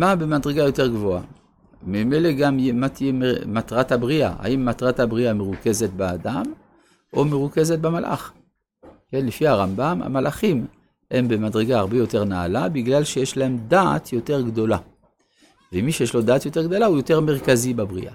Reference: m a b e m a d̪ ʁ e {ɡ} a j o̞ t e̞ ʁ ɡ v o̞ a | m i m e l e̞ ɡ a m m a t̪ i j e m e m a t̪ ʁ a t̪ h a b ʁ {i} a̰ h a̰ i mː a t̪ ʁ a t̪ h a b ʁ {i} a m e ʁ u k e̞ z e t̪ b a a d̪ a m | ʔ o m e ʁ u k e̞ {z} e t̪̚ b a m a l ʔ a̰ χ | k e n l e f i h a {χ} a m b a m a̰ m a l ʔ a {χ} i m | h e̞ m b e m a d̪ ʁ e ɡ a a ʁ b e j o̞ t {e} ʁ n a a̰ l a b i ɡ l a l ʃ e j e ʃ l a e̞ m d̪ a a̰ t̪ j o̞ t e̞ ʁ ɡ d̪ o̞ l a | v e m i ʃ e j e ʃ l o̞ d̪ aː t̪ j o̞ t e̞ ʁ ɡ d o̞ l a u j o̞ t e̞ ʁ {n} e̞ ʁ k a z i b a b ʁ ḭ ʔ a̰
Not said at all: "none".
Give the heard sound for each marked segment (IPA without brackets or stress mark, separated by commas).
ɡ, i, i, z, ʁ, χ, e, m